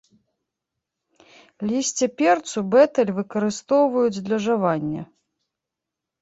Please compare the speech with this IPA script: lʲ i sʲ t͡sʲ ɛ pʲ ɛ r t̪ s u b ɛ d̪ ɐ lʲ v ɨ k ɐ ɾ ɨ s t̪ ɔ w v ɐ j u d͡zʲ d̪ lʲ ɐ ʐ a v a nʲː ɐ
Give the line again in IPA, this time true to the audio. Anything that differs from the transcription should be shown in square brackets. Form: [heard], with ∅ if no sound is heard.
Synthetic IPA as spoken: lʲ i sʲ t͡sʲ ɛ pʲ ɛ r t̪ s u b ɛ [t̪] ɐ lʲ v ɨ k ɐ ɾ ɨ s t̪ ɔ w v ɐ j u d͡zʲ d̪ lʲ ɐ ʐ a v a nʲː ɐ